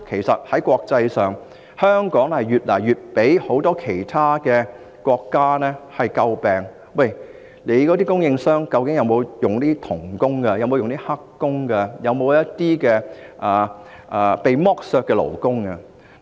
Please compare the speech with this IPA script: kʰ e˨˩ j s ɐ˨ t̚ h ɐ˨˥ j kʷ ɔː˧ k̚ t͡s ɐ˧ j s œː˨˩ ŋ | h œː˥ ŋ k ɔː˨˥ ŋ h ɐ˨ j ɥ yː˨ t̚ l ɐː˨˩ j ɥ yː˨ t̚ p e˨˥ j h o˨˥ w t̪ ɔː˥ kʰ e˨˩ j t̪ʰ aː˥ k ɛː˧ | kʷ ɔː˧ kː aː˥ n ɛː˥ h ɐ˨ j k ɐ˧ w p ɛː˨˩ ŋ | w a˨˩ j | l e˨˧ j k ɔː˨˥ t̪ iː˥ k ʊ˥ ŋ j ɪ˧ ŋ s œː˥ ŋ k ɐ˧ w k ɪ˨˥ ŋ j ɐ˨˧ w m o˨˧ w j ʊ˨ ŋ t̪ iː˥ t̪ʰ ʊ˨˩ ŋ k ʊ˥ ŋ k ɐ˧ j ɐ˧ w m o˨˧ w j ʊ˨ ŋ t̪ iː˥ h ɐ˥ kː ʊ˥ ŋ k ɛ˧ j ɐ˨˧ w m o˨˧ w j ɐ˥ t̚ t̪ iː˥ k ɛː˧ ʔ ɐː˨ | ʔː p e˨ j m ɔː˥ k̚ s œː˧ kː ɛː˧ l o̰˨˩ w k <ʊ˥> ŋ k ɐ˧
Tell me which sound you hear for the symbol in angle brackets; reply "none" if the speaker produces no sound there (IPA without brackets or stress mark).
ʊ˥